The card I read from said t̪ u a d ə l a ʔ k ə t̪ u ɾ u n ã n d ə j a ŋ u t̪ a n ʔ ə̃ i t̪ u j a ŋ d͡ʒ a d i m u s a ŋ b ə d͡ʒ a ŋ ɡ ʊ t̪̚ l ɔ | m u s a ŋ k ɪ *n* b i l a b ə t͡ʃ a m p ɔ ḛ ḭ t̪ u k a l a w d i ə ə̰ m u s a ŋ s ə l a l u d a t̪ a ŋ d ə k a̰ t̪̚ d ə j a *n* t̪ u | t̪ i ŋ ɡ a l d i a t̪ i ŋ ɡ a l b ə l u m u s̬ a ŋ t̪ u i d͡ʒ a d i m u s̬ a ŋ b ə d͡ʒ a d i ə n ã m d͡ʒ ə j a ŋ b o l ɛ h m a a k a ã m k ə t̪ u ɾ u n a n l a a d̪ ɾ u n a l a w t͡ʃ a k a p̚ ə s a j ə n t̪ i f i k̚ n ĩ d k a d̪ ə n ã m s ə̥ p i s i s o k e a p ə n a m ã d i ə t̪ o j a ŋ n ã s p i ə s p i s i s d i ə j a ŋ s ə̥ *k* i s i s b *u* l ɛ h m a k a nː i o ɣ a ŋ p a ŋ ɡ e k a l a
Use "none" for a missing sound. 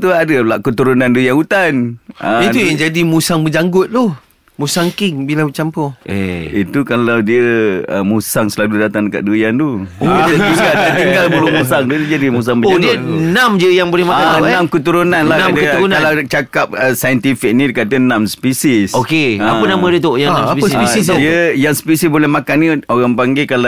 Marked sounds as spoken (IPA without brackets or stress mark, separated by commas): ŋ, n, p, o